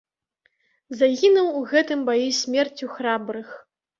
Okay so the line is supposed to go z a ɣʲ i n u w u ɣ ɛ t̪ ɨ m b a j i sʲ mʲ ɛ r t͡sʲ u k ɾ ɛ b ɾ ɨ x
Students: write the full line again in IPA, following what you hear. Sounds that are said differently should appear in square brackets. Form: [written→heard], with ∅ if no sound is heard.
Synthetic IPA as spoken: z a ɣʲ i n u w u ɣ ɛ t̪ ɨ m b a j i sʲ mʲ ɛ r t͡sʲ u [k→x] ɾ [ɛ→a] b ɾ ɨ x